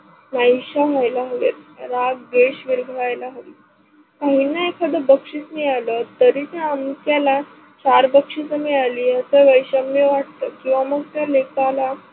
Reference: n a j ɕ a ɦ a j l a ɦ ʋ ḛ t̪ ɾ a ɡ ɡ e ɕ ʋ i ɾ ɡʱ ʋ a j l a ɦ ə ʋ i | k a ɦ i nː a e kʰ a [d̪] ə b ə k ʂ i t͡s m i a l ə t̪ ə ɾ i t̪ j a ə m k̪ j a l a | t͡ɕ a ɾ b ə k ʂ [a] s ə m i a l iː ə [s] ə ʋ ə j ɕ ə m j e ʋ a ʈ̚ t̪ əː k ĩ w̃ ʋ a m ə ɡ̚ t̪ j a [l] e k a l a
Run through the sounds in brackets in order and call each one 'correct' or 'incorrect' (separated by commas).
correct, incorrect, correct, correct